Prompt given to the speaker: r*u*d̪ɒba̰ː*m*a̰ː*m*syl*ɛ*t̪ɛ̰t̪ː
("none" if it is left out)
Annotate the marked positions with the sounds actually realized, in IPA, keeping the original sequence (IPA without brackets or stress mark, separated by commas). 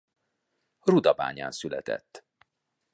u, ɲ, n, ɛ